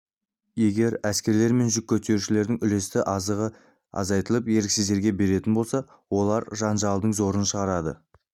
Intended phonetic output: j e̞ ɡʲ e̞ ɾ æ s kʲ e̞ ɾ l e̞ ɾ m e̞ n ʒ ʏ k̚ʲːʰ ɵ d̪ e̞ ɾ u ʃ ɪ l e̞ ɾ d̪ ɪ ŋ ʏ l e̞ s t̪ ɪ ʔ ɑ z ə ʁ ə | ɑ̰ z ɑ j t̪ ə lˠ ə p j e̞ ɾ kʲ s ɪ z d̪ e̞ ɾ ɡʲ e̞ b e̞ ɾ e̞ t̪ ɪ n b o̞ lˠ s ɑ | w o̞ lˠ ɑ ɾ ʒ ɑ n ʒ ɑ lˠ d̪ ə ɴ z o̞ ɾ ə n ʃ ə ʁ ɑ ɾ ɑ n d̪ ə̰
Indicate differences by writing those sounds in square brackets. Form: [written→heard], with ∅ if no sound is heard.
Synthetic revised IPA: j e̞ ɡʲ e̞ ɾ æ s kʲ e̞ ɾ l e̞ ɾ m e̞ n ʒ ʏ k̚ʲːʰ ɵ [d̪→t̪] e̞ ɾ u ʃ ɪ l e̞ ɾ d̪ ɪ ŋ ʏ l e̞ s t̪ ɪ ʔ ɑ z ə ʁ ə | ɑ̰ z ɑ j t̪ ə lˠ ə p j e̞ ɾ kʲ s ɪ z d̪ e̞ ɾ ɡʲ e̞ b e̞ ɾ e̞ t̪ ɪ n b o̞ lˠ s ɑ | w o̞ lˠ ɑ ɾ ʒ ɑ n ʒ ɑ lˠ d̪ ə ɴ z o̞ ɾ ə n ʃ ə ʁ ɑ ɾ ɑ [n→∅] d̪ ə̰